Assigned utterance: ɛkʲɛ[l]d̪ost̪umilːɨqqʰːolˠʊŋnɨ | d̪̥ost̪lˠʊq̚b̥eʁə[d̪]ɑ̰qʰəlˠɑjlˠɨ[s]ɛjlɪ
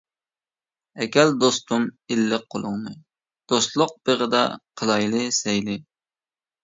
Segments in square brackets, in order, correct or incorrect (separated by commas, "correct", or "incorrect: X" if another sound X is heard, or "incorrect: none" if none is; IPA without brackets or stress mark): correct, correct, correct